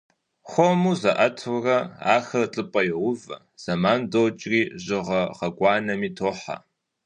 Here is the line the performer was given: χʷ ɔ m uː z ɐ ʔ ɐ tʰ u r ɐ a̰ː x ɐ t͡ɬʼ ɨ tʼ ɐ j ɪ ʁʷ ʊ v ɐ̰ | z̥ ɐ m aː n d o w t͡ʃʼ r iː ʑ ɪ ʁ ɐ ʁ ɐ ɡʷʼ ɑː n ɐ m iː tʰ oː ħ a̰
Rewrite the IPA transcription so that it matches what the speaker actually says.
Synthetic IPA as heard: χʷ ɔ m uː z ɐ ʔ ɐ tʰ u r ɐ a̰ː x ɐ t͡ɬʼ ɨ pʼ ɐ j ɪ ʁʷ ʊ v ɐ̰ | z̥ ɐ m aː n d o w t͡ʃʼ r iː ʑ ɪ ʁ ɐ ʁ ɐ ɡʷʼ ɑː n ɐ m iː tʰ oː ħ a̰